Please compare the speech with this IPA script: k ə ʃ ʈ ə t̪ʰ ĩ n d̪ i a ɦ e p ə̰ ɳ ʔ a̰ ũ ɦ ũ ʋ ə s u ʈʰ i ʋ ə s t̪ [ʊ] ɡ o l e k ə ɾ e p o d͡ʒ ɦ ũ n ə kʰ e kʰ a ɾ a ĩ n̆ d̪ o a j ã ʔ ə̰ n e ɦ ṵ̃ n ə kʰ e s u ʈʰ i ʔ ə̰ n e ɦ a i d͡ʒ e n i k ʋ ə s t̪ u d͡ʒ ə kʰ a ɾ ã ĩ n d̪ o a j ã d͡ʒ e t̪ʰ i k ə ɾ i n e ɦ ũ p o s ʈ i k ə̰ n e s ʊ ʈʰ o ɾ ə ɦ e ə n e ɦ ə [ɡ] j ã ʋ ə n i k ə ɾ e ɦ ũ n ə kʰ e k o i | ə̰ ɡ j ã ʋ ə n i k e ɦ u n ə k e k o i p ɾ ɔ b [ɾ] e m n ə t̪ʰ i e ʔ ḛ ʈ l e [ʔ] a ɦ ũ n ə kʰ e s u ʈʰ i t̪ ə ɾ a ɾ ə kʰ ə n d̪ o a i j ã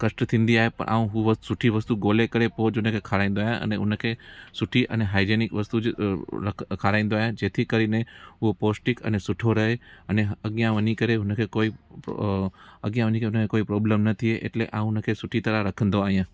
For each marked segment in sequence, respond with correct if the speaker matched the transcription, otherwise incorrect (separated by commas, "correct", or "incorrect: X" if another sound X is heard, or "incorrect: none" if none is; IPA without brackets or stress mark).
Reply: incorrect: u, correct, incorrect: l, correct